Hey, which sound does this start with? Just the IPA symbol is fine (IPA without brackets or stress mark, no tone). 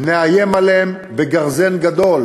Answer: n